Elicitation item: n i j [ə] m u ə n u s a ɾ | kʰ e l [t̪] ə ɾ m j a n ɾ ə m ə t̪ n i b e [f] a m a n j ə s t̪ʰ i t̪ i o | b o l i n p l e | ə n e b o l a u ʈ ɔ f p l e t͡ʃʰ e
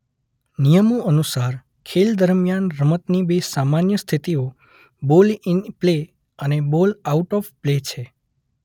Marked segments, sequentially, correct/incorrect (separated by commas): correct, incorrect, incorrect